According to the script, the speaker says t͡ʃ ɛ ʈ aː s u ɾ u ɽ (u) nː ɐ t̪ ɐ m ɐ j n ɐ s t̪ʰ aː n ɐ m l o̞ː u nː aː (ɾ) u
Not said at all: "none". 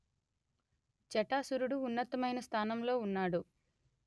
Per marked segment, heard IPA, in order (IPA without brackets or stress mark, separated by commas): uː, ɽ